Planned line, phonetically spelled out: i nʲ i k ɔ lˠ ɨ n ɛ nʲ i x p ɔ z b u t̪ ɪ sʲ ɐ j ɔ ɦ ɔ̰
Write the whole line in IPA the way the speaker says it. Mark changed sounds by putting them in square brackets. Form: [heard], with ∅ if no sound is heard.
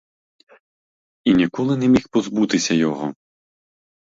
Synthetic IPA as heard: i nʲ i k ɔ lˠ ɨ n ɛ [mʲ] i x p ɔ z b u t̪ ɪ sʲ ɐ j ɔ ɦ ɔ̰